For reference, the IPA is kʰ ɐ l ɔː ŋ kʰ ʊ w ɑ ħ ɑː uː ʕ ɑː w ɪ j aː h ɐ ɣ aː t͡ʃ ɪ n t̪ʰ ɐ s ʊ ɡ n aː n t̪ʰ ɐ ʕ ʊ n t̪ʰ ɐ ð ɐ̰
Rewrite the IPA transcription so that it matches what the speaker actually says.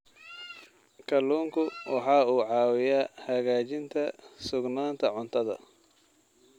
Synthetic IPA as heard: kʰ ɐ l uː ŋ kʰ ʊ w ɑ ħ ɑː uː ʕ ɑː w ɪ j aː h ɐ ɣ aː t͡ʃ ɪ n t̪ʰ ɐ s ʊ ɡ n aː n t̪ʰ ɐ ʕ ʊ n t̪ʰ ɐ ð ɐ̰